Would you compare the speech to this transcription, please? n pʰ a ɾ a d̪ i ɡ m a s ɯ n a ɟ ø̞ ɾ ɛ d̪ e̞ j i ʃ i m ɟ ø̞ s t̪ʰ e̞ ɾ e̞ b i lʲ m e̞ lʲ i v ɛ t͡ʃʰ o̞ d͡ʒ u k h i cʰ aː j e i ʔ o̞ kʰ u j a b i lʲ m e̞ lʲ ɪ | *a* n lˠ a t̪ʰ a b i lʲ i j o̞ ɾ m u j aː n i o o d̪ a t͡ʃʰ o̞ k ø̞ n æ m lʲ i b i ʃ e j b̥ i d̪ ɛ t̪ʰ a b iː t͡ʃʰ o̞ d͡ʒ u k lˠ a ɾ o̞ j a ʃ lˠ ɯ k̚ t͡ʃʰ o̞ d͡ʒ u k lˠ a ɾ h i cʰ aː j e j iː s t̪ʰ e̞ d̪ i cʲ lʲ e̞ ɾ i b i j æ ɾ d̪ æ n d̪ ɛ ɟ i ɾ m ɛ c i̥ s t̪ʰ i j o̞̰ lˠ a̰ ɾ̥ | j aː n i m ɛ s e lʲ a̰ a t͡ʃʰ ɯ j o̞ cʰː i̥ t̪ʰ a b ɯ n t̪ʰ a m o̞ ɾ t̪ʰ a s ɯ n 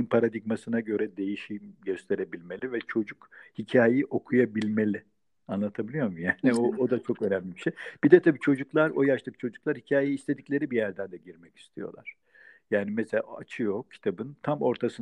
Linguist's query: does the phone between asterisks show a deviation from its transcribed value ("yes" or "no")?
no